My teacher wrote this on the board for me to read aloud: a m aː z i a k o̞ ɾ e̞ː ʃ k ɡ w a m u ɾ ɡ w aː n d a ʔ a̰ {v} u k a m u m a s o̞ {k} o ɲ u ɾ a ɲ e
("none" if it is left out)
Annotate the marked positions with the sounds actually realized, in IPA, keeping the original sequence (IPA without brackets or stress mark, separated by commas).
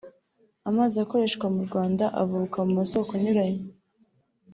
v, k